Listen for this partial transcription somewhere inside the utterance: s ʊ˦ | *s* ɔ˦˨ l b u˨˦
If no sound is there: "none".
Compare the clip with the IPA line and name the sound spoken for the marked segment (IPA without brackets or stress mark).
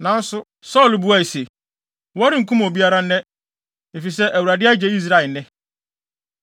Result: s